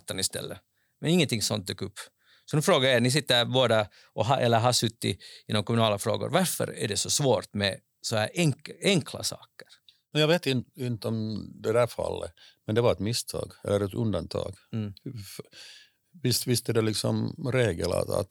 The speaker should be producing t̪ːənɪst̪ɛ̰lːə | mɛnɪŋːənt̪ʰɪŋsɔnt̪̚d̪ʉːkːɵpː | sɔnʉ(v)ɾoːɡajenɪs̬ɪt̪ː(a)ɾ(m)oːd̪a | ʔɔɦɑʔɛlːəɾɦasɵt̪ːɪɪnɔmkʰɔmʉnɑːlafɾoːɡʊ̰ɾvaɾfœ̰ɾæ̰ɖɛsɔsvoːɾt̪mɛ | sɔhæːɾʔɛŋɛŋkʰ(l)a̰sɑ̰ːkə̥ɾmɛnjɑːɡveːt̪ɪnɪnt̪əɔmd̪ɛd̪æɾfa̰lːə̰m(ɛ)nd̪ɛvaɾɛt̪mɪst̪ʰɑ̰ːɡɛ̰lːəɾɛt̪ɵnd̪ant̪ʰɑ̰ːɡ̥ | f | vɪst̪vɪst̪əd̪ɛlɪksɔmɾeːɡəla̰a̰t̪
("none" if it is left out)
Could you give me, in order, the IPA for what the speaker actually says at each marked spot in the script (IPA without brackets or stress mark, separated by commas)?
f, ə, b, l, ɛ